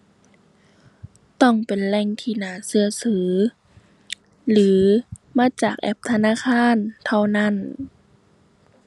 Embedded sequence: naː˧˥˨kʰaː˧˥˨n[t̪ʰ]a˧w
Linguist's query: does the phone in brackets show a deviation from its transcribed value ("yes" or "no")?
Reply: no